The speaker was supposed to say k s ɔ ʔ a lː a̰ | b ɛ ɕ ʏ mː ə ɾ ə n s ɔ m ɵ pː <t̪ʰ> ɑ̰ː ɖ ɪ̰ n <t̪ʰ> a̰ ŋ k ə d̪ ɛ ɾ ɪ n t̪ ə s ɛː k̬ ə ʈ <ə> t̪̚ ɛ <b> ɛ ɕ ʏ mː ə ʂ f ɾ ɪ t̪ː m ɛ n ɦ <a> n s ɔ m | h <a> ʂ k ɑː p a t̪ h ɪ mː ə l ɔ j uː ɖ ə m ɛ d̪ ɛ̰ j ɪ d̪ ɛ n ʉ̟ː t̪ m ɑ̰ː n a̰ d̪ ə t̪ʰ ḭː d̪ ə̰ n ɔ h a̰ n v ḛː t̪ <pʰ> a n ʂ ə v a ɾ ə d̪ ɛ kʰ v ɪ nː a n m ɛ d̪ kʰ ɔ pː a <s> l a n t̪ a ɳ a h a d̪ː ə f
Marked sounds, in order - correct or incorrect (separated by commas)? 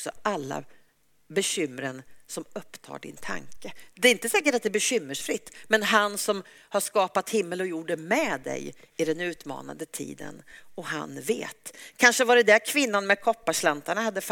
correct, correct, incorrect, correct, correct, correct, incorrect, incorrect